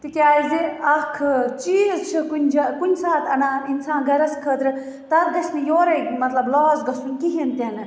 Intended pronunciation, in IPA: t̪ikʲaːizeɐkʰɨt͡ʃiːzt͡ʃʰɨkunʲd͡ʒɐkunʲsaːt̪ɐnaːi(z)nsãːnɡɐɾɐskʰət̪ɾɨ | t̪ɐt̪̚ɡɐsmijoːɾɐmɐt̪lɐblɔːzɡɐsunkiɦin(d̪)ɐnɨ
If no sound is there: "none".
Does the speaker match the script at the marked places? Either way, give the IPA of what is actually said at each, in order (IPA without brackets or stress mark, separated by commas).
none, t̪